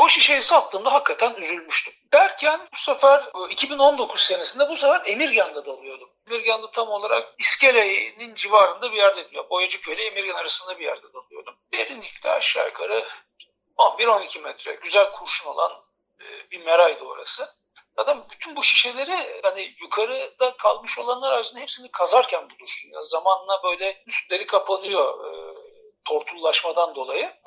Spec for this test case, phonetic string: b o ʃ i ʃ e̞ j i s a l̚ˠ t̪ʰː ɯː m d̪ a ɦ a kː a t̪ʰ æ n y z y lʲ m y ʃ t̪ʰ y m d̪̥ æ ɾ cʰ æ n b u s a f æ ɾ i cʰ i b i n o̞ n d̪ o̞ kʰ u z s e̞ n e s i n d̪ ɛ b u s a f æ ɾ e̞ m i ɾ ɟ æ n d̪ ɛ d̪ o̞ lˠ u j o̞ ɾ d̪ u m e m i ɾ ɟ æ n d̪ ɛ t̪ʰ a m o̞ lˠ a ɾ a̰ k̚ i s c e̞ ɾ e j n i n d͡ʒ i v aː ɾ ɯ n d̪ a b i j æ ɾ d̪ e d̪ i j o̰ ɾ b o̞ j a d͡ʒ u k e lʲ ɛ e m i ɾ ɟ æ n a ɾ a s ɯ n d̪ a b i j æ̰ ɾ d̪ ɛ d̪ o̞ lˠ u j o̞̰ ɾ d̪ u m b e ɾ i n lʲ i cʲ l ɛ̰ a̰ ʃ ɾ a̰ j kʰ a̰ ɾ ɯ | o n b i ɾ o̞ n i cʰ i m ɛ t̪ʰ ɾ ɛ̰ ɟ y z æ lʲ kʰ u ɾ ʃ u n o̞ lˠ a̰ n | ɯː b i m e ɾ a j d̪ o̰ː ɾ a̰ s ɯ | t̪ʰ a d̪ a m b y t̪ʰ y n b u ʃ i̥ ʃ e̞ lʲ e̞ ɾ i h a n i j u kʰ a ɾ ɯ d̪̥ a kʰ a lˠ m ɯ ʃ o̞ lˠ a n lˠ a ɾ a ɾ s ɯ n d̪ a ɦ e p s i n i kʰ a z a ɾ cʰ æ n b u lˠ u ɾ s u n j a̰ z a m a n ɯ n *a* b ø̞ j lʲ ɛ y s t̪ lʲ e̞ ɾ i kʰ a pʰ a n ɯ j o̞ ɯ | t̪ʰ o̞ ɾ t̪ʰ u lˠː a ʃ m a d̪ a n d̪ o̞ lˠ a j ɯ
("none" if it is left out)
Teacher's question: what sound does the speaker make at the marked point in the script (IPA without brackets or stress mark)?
a